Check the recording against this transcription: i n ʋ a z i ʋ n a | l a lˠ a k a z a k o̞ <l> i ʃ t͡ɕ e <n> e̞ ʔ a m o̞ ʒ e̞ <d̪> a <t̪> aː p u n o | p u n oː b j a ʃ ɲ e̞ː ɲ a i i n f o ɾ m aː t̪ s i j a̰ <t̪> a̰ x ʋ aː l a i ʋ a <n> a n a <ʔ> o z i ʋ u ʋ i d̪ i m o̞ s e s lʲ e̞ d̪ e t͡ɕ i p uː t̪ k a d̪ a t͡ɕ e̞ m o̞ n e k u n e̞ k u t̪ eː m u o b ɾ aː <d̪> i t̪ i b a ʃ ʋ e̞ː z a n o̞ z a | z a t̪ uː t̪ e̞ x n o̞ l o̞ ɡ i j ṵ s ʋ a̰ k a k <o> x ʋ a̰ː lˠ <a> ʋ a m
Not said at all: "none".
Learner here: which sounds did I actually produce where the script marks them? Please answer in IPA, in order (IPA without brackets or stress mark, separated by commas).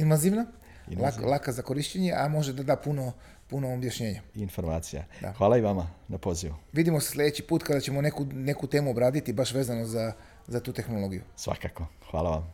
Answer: ɾ, ɲ, d̪, d̪, d̪, m, p, d̪, o, a